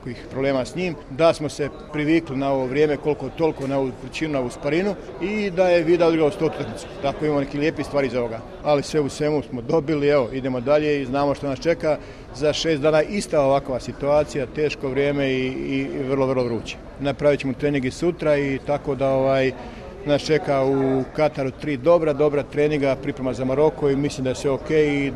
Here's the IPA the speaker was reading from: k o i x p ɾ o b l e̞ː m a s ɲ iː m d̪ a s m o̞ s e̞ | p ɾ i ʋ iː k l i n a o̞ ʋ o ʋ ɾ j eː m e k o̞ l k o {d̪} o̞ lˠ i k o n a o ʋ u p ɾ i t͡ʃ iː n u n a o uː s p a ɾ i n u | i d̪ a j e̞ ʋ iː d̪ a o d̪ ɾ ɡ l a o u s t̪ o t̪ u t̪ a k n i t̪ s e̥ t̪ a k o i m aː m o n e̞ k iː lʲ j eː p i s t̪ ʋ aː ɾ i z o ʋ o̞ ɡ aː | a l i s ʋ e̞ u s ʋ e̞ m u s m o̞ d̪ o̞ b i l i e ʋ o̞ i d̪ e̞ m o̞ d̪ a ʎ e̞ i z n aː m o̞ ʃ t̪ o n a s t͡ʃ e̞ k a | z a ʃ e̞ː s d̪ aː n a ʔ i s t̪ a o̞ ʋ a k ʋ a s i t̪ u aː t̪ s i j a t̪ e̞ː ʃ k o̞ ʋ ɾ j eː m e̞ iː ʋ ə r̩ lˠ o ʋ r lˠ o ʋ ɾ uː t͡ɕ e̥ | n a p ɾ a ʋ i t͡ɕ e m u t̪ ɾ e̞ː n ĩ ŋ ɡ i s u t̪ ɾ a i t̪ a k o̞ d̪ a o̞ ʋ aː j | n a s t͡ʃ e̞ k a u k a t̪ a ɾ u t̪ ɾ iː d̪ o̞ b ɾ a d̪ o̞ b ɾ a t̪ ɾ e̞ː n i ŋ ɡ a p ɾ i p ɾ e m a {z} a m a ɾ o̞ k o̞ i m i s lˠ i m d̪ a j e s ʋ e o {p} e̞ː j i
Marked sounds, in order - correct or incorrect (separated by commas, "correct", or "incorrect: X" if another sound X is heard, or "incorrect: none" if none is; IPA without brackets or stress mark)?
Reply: incorrect: t̪, correct, incorrect: k